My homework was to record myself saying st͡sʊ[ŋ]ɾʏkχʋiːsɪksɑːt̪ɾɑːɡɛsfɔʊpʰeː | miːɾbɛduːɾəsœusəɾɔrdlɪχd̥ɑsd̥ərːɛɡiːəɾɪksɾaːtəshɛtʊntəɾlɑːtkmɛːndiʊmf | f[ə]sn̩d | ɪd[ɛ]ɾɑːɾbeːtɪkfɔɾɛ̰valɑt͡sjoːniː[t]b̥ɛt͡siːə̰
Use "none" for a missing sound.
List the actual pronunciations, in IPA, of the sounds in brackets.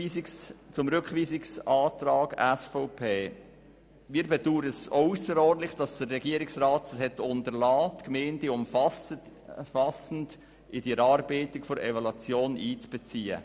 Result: m, ɑ, i, t͡s

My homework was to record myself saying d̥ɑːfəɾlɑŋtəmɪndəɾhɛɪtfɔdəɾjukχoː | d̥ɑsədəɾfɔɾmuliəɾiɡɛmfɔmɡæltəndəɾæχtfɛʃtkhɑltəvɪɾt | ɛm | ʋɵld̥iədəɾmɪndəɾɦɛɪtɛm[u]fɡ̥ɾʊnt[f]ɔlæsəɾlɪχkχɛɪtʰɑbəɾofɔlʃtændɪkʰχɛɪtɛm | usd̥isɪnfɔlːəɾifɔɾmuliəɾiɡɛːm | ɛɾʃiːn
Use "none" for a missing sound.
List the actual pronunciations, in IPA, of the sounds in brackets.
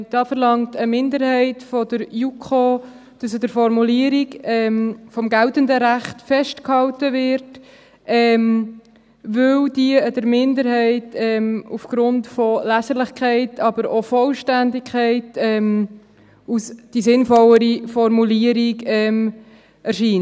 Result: u, f

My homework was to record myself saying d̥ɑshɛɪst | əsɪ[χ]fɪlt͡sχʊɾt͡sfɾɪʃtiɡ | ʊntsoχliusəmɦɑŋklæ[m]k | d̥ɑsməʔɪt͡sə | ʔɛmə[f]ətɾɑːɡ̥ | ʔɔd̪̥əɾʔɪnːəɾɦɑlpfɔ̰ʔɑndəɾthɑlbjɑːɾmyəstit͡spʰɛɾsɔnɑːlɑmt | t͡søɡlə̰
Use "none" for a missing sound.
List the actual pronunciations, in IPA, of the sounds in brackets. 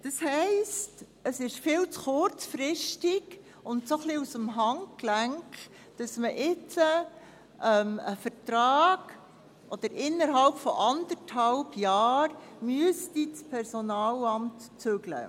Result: ʃ, ŋ, f

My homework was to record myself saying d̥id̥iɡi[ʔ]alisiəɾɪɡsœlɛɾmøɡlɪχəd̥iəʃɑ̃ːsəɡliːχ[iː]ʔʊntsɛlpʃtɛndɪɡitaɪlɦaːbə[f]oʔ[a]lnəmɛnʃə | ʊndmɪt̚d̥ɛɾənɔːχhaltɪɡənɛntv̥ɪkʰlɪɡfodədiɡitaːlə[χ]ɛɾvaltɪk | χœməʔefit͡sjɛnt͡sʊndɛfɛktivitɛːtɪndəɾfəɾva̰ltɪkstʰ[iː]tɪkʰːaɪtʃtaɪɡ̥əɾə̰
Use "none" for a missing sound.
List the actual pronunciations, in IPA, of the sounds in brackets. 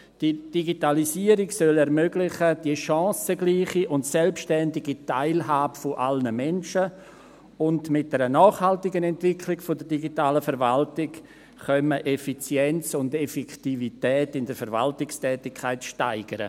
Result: t, i, f, a, f, ɛː

